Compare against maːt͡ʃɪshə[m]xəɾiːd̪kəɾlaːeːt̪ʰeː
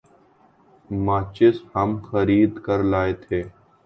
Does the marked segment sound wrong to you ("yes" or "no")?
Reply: no